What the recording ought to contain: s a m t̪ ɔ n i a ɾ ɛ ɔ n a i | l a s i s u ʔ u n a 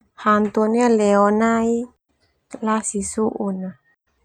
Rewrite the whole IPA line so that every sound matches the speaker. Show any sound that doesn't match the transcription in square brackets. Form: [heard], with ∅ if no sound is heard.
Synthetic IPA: [h] a [n] t̪ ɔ n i a [l] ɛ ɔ n a i | l a s i s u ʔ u n a